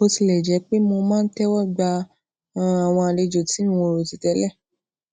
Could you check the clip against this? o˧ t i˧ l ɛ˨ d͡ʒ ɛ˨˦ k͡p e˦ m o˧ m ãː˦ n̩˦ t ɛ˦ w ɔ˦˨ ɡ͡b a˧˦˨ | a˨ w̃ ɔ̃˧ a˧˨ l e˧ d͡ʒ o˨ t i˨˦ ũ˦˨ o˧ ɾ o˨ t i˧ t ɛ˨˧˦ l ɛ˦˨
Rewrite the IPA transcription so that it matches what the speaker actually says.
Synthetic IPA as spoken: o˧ t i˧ l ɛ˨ d͡ʒ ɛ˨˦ k͡p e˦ m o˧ m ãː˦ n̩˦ t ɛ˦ w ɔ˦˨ ɡ͡b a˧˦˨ | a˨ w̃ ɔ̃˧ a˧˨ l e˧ d͡ʒ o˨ t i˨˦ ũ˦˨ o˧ ɾ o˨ t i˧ t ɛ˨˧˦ l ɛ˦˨